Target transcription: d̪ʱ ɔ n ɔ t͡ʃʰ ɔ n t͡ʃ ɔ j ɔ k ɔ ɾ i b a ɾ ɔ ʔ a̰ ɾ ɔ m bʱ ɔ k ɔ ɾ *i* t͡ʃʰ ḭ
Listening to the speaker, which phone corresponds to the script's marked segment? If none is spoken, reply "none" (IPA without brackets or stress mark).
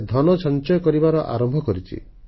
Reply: i